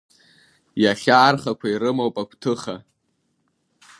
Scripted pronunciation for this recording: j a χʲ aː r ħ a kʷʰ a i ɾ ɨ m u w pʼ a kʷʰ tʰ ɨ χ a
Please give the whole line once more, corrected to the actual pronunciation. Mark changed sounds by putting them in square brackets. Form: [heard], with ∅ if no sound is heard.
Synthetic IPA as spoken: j a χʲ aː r [χ] a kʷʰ a i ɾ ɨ m [o] w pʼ a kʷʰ tʰ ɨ χ a